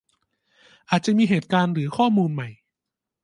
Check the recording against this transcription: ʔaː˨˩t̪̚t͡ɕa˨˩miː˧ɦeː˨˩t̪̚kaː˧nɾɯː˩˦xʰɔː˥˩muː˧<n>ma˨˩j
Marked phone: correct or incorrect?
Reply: correct